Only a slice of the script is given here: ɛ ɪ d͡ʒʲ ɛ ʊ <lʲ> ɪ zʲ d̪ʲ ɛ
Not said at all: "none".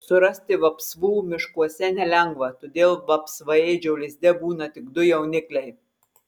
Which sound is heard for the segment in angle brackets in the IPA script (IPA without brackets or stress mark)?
lʲ